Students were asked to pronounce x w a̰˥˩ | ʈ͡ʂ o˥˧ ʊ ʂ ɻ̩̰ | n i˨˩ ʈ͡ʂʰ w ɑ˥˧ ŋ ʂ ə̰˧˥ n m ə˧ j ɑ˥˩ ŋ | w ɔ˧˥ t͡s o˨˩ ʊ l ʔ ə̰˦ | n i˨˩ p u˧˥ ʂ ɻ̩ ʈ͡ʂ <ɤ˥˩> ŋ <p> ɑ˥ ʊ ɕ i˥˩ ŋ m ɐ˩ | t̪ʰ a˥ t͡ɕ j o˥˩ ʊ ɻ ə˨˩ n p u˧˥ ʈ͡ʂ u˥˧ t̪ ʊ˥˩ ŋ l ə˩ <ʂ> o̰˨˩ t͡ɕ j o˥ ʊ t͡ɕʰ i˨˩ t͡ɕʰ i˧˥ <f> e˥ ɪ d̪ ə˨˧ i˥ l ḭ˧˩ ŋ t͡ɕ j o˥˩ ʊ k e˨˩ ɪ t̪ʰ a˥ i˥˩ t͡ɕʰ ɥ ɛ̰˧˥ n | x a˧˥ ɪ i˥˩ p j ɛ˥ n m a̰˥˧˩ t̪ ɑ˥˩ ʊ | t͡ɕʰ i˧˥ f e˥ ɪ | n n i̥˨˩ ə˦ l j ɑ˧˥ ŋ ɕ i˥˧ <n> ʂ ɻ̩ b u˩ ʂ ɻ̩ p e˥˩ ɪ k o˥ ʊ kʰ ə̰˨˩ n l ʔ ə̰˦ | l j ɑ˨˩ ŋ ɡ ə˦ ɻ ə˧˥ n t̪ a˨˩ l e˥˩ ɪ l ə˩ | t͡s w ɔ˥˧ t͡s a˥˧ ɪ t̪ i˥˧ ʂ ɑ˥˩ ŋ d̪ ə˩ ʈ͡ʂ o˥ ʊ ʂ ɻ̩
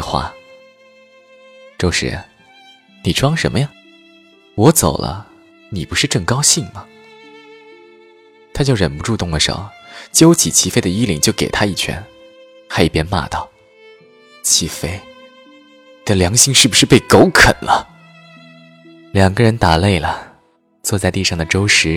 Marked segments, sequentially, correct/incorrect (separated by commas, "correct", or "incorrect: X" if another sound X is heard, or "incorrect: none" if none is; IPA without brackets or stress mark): correct, incorrect: k, correct, correct, incorrect: ŋ